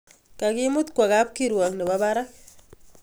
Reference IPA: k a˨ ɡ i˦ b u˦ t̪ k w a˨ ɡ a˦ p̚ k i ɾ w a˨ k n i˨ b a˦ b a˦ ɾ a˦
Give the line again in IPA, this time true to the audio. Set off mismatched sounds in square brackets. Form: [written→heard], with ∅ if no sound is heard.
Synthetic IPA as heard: k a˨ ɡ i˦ [b→m] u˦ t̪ k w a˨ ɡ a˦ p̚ k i ɾ w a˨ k n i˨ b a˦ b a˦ ɾ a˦